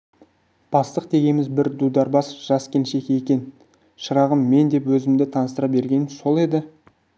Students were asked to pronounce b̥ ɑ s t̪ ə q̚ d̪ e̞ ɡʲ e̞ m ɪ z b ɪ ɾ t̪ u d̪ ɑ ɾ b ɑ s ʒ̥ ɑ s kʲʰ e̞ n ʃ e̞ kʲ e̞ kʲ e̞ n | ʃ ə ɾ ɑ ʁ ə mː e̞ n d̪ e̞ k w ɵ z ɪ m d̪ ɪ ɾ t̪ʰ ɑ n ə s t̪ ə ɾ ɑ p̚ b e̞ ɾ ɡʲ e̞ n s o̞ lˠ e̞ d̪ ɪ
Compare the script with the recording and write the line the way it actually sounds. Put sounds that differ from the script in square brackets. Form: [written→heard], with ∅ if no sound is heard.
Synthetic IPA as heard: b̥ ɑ s t̪ ə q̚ d̪ e̞ ɡʲ e̞ m ɪ z b ɪ ɾ [t̪→d̪] u d̪ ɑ ɾ b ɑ s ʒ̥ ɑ s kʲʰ e̞ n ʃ e̞ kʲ e̞ kʲ e̞ n | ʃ ə ɾ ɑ ʁ ə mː e̞ n d̪ e̞ [k→p] w ɵ z ɪ m d̪ ɪ [ɾ→∅] t̪ʰ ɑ n ə s t̪ ə ɾ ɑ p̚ b e̞ ɾ ɡʲ e̞ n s o̞ lˠ e̞ d̪ ɪ